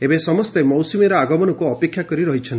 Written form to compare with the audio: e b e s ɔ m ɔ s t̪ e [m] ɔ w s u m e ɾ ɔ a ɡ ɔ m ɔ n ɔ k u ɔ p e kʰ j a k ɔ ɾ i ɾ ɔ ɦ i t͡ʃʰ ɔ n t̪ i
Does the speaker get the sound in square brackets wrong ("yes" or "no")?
no